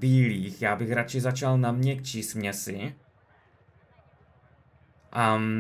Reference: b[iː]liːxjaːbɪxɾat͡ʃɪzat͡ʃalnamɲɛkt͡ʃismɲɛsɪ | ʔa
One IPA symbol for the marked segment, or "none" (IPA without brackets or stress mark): iː